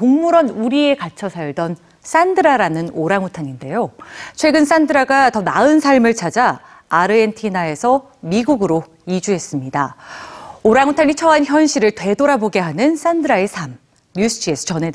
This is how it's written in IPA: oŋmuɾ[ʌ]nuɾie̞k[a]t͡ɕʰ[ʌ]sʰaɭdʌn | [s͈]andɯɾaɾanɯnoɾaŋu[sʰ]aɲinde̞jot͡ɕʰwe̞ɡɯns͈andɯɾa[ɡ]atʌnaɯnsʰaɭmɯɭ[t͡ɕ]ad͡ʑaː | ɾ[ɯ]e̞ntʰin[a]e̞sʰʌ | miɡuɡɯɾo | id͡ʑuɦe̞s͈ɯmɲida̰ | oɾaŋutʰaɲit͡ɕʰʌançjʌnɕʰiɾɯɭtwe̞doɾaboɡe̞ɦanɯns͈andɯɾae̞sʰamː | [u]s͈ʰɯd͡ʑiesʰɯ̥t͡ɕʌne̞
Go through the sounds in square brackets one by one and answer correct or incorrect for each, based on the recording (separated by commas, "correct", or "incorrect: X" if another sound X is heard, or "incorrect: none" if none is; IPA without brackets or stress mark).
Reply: correct, correct, correct, correct, incorrect: tʰ, correct, incorrect: t͡ɕʰ, correct, correct, correct